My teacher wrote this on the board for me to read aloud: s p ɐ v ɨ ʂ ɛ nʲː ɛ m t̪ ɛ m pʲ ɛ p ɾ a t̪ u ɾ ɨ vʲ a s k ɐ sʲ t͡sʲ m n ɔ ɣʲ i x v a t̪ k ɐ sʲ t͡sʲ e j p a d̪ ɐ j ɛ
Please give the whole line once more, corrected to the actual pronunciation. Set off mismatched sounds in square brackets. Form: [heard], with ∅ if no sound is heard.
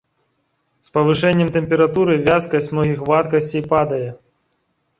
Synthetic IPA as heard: s p ɐ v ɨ ʂ ɛ nʲː ɛ m t̪ ɛ m pʲ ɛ [∅] ɾ a t̪ u ɾ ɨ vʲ a s k ɐ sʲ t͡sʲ m n ɔ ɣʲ i x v a t̪ k ɐ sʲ t͡sʲ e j p a d̪ ɐ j ɛ